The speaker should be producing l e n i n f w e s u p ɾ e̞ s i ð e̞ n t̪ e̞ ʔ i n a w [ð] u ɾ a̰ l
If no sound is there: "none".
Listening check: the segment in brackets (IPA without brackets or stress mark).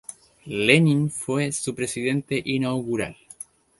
ɣ